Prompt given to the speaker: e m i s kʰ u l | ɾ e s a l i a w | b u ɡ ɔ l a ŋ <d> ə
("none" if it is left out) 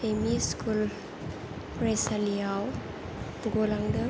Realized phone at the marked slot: d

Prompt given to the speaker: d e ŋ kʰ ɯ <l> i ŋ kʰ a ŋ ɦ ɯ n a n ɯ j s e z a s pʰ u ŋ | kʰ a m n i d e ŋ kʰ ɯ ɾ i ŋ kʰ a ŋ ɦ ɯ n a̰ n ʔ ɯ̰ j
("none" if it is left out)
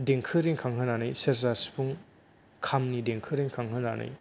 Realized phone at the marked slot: ɾ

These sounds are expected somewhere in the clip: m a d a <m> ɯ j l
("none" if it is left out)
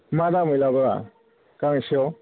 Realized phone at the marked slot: m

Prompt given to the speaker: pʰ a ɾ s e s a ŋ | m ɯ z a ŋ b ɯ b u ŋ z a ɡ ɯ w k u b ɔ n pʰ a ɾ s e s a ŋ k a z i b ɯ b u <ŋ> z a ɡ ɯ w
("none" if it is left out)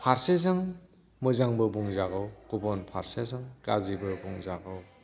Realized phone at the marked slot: ŋ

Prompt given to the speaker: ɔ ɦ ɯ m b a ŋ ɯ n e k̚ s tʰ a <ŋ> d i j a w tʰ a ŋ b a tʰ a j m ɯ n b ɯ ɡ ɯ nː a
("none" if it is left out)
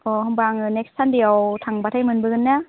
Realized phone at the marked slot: n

